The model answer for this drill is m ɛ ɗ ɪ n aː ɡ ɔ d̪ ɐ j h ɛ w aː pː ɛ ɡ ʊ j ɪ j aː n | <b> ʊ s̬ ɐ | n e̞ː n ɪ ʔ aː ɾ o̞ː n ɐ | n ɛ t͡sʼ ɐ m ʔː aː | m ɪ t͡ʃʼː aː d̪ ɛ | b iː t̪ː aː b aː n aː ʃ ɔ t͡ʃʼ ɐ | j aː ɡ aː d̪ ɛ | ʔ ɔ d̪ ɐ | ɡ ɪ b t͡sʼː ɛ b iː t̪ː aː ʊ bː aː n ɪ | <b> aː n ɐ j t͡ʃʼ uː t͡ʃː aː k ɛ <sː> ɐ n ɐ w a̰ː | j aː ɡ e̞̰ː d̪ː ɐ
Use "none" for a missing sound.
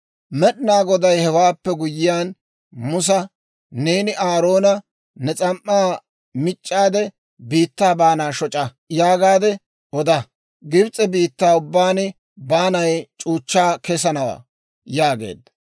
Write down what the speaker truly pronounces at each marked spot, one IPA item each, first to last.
m, b, s

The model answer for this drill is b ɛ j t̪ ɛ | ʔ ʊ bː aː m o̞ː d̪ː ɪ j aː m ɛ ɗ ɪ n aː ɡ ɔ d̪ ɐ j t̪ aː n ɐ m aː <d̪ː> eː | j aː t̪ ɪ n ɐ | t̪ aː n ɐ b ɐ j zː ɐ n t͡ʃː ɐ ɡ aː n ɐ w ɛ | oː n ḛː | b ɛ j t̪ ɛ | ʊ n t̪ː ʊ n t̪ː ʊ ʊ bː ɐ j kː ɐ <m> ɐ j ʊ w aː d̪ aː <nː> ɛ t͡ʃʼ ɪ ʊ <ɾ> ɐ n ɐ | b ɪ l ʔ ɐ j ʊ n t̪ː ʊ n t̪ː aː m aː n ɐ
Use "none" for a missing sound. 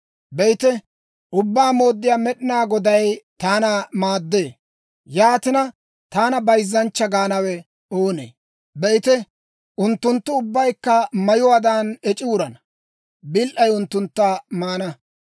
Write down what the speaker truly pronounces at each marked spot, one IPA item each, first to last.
d̪ː, m, n, ɾ

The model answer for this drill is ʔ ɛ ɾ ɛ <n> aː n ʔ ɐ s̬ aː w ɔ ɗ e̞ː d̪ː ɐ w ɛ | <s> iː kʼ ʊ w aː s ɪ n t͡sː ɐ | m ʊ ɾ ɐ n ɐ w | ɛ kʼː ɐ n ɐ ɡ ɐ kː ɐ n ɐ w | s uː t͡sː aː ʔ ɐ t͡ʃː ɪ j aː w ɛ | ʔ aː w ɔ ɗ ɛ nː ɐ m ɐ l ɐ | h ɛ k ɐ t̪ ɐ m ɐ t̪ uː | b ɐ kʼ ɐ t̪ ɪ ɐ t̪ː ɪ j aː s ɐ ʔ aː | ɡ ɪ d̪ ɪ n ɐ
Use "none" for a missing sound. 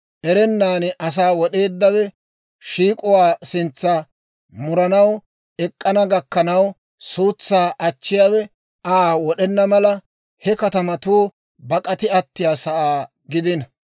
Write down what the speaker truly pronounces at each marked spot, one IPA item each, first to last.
nː, ʃ

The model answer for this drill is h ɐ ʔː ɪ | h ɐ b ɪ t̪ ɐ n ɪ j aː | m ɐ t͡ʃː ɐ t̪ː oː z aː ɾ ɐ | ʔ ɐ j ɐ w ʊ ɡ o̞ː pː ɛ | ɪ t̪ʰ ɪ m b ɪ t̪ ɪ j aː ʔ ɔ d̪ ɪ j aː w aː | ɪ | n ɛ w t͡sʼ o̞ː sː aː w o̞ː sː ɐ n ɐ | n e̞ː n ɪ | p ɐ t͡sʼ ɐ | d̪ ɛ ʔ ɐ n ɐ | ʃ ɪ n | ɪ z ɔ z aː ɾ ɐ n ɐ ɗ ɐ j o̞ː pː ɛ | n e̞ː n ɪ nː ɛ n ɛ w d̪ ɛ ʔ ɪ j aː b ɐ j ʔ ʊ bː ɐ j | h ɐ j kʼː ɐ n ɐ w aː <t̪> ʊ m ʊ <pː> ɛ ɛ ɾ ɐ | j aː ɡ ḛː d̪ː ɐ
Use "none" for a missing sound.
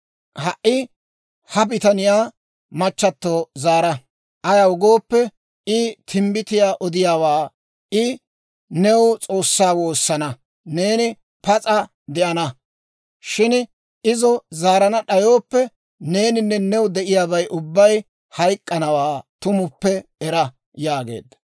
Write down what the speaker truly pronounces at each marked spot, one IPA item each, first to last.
t̪, pː

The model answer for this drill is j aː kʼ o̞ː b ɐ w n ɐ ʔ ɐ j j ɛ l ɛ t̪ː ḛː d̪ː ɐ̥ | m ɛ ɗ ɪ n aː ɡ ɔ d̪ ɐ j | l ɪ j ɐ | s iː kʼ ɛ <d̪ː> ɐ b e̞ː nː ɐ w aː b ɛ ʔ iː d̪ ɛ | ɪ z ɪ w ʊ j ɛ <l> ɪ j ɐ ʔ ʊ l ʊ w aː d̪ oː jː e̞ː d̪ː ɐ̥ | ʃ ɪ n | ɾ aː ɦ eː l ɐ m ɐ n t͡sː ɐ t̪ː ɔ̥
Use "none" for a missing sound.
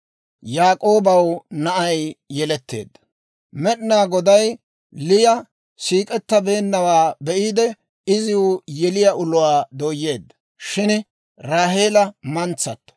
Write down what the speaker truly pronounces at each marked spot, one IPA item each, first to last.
t̪ː, l

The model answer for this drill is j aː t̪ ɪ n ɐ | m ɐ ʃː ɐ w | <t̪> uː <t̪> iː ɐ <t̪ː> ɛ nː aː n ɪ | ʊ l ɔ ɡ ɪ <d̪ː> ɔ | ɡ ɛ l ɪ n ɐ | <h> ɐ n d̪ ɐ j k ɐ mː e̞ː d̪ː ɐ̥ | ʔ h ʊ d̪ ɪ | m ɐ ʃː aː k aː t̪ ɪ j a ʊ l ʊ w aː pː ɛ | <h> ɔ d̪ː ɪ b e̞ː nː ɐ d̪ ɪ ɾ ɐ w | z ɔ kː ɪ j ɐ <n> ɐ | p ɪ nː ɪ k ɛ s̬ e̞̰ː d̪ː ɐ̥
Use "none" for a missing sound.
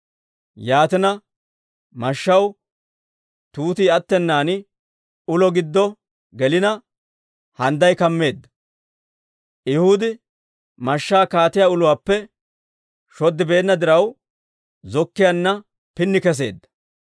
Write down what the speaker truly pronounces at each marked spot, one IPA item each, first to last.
t̪, t̪, t̪ː, d̪ː, h, ʃ, nː

